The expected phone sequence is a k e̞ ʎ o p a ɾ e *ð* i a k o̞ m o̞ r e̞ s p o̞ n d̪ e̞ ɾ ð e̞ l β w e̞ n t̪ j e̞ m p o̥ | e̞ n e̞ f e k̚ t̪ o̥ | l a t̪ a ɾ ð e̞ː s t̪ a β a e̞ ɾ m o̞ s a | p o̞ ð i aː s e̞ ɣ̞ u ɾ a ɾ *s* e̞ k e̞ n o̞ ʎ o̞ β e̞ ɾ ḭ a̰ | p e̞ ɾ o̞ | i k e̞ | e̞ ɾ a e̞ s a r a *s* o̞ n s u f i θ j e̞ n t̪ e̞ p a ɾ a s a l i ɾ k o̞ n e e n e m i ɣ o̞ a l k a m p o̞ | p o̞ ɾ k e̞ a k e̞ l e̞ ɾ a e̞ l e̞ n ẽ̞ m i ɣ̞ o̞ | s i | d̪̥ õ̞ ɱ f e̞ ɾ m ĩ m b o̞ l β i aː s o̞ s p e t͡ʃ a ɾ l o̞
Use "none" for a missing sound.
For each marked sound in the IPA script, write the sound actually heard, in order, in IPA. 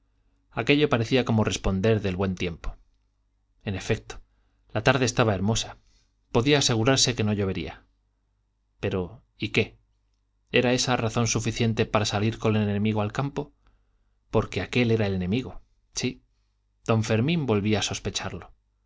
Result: θ, s, θ

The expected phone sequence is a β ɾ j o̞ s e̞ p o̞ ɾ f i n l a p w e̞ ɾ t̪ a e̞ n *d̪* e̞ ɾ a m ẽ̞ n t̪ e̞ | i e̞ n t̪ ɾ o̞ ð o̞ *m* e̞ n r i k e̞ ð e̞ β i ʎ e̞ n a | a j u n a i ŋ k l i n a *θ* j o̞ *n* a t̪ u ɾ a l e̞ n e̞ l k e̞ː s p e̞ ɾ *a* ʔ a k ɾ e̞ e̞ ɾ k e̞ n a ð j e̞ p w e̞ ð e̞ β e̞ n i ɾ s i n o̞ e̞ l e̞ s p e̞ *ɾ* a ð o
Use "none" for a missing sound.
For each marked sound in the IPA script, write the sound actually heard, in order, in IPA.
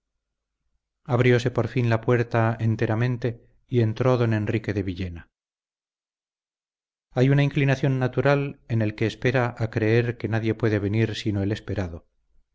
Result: t̪, n, θ, nː, a, ɾ

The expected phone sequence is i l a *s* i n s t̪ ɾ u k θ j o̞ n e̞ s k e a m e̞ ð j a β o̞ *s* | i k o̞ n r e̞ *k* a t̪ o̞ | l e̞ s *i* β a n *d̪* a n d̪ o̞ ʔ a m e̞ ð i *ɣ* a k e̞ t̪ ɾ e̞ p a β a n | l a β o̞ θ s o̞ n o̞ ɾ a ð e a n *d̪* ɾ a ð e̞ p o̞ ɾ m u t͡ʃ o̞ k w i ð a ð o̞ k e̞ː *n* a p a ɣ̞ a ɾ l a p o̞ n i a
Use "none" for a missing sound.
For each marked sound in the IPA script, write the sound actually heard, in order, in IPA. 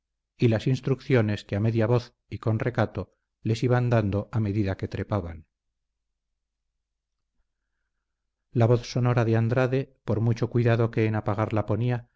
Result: s, θ, k, i, d̪, ð, d̪, n

